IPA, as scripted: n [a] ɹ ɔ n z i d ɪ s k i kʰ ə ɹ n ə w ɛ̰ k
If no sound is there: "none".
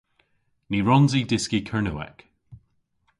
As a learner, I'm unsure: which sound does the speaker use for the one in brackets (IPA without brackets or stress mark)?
i